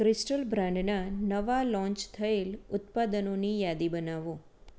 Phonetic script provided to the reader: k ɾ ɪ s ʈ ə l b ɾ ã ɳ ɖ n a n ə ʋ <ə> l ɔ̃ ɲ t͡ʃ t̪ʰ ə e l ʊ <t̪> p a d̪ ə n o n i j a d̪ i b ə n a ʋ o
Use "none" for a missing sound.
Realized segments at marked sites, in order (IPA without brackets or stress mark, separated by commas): a, t̪